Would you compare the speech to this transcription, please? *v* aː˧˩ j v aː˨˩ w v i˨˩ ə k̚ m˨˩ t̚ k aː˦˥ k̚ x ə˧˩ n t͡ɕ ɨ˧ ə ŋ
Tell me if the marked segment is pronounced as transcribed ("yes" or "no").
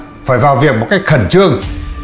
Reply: no